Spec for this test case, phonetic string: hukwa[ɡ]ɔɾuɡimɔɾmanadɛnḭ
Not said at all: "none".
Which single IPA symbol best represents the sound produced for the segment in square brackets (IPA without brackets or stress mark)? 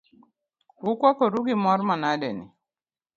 k